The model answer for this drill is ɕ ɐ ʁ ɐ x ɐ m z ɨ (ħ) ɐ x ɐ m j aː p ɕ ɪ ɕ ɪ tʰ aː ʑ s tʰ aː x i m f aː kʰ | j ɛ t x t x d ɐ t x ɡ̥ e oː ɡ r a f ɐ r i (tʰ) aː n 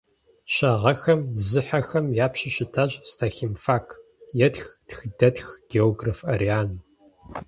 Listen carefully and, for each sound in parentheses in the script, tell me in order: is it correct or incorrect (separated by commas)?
correct, incorrect